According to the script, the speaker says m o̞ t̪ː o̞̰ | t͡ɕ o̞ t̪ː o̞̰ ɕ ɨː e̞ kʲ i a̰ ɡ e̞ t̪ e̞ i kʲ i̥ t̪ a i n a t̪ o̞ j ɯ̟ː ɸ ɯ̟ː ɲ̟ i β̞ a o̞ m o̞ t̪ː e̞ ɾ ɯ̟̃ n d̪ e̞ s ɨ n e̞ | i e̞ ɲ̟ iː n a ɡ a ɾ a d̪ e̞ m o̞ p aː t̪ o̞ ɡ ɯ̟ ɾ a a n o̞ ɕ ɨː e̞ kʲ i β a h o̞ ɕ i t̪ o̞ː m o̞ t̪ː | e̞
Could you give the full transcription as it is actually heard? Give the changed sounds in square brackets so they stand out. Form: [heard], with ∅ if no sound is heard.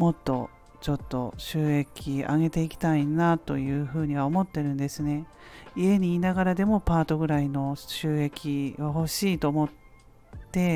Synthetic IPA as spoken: m o̞ t̪ː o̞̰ | t͡ɕ o̞ t̪ː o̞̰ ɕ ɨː e̞ kʲ i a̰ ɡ e̞ t̪ e̞ i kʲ i̥ t̪ a i n a t̪ o̞ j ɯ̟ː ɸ ɯ̟ː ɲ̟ i β̞ a o̞ m o̞ t̪ː e̞ ɾ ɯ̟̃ n d̪ e̞ s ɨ n e̞ | i e̞ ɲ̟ iː n a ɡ a ɾ a d̪ e̞ m o̞ p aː t̪ o̞ ɡ ɯ̟ ɾ a [i] n o̞ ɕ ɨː e̞ kʲ i β a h o̞ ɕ [iː] t̪ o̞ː m o̞ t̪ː | e̞